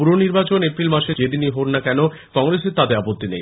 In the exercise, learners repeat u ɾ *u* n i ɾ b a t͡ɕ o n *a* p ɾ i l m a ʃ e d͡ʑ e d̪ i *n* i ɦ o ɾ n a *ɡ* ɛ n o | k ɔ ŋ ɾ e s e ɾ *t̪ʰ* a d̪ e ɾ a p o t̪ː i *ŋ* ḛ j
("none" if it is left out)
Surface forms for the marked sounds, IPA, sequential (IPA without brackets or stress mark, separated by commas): o, e, n, k, t̪, n